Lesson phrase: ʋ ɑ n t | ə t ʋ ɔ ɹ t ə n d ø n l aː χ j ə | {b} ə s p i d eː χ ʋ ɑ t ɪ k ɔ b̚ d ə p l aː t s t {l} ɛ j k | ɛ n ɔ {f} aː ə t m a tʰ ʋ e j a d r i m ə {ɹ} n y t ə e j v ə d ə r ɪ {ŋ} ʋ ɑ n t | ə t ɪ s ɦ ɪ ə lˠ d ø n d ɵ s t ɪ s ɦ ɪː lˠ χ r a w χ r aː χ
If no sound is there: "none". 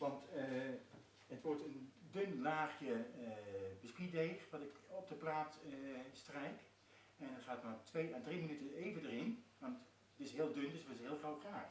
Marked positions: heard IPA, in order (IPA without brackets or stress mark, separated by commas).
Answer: b, r, χ, none, n